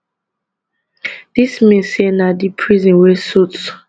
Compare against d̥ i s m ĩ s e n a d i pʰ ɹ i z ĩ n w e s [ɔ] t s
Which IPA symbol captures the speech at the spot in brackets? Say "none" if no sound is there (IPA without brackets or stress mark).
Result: u